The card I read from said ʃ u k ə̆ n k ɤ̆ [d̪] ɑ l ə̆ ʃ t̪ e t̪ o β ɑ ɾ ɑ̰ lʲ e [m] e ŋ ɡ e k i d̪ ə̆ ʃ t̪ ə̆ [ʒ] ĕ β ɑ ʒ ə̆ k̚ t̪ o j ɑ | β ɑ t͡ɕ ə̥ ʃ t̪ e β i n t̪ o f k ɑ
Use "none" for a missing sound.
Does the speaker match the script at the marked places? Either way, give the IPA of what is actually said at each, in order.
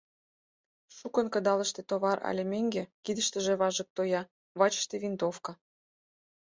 d̪, m, ʒ

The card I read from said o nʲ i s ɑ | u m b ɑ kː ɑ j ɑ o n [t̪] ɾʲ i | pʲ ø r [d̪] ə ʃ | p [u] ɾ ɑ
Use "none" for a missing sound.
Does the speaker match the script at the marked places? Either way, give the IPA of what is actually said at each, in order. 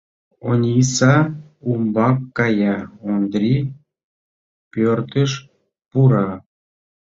d̪, t̪, u

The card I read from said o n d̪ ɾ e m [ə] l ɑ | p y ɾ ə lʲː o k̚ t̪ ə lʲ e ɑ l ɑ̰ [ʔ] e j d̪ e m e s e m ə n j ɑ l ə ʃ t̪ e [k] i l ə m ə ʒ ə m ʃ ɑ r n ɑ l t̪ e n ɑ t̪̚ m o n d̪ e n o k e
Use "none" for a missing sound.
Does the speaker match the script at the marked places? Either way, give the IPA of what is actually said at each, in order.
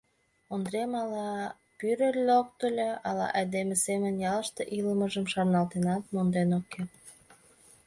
ɑ, ʔ, ʔ

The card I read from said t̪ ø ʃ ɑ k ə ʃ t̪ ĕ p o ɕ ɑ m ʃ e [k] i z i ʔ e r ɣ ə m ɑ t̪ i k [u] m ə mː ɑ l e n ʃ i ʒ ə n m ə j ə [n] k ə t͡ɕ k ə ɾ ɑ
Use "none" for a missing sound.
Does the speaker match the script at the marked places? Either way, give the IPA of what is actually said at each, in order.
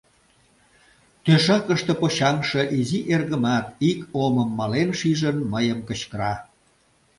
ʔ, o, m

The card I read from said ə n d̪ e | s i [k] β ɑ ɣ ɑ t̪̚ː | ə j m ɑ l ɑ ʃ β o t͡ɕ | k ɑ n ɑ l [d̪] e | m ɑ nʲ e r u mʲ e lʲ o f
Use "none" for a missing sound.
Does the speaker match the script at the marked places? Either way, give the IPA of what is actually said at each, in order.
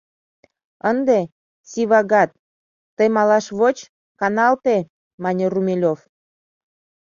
none, t̪

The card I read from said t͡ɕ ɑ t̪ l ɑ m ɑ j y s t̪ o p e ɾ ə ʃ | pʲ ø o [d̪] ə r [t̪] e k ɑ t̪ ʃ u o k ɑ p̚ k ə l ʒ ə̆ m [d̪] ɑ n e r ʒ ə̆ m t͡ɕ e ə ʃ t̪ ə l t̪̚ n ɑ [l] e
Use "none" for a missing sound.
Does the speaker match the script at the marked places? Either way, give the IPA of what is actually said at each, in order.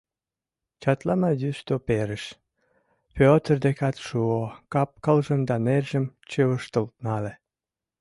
t̪, d̪, d̪, l

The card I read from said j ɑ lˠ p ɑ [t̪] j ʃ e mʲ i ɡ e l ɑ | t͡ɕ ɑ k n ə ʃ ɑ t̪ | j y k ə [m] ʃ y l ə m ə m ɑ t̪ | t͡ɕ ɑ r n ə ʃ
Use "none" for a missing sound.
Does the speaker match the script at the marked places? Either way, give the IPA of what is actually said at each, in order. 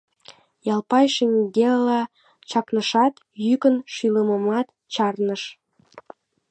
none, n

